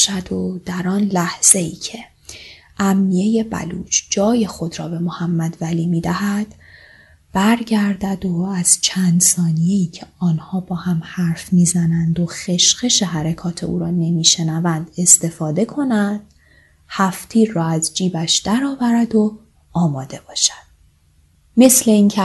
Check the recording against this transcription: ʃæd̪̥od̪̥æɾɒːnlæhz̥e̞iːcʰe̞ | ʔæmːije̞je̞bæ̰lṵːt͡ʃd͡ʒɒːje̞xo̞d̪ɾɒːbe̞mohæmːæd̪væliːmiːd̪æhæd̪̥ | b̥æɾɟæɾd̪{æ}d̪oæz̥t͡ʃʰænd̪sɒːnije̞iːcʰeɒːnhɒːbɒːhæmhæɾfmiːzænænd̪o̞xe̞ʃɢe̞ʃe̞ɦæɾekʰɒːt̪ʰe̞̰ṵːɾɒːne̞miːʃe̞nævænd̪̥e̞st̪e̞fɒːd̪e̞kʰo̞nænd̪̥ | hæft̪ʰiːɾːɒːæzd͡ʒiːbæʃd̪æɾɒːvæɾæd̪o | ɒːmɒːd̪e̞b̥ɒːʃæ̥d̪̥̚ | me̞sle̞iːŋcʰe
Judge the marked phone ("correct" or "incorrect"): correct